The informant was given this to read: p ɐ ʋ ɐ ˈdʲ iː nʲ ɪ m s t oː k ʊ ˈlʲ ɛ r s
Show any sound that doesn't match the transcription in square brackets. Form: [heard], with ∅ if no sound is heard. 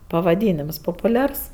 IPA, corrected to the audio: p ɐ ʋ ɐ ˈdʲ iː nʲ ɪ m s [p] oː [p] ʊ ˈlʲ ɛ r s

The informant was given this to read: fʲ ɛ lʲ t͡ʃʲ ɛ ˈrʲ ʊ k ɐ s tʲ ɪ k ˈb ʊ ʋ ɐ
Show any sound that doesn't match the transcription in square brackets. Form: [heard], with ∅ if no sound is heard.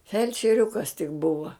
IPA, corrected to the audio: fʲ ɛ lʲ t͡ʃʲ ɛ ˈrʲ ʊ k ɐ s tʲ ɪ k ˈb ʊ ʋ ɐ

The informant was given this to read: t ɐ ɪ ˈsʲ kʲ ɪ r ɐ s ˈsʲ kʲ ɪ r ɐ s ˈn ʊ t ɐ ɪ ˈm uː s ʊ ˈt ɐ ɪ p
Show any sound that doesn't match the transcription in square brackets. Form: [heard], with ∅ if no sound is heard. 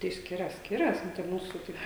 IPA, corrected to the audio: t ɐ ɪ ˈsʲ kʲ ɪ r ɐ s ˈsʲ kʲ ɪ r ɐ s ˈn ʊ t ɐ ɪ ˈm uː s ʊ ˈt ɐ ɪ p

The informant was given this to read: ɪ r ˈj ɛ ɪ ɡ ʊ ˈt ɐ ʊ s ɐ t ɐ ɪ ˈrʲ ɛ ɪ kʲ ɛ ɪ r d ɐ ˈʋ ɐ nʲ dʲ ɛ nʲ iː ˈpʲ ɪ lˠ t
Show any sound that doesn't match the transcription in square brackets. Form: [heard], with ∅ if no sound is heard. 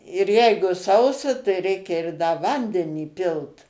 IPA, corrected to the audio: ɪ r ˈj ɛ ɪ ɡ ʊ [ˈs] ɐ ʊ s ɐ t ɐ ɪ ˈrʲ ɛ ɪ kʲ ɛ ɪ r d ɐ ˈʋ ɐ nʲ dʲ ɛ nʲ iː ˈpʲ ɪ lˠ t

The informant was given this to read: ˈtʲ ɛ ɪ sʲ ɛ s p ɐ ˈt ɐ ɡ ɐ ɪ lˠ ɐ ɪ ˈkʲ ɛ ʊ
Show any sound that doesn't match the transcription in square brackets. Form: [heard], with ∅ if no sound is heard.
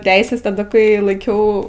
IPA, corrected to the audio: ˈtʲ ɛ ɪ sʲ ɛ s [t] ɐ [ˈd] ɐ [k] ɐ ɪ lˠ ɐ ɪ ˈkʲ ɛ ʊ

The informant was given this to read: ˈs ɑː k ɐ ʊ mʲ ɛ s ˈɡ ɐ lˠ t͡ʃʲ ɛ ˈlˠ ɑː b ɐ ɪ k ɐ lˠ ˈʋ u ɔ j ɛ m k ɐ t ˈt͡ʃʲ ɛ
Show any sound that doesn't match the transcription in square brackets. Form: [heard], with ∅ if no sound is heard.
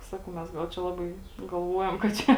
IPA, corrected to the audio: ˈs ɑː k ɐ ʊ mʲ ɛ s ˈɡ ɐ lˠ t͡ʃʲ ɛ ˈlˠ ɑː b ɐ ɪ [ɡ] ɐ lˠ ˈʋ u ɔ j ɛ m k ɐ t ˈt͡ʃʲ ɛ

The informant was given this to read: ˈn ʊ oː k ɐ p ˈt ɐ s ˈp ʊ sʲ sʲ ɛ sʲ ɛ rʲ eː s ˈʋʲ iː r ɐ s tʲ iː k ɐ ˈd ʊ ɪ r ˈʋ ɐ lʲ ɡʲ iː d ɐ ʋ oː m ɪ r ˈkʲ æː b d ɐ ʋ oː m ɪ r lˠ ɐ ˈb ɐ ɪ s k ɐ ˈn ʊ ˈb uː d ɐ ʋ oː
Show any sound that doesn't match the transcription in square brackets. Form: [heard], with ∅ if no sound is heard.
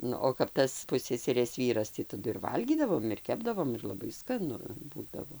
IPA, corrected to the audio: ˈn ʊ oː k ɐ p ˈt ɐ s ˈp ʊ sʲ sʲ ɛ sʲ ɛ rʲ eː s ˈʋʲ iː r ɐ s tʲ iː [t] ɐ ˈd ʊ ɪ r ˈʋ ɐ lʲ ɡʲ iː d ɐ ʋ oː m ɪ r ˈkʲ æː b d ɐ ʋ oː m ɪ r lˠ ɐ ˈb ɐ ɪ s k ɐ ˈn ʊ ˈb uː d ɐ ʋ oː

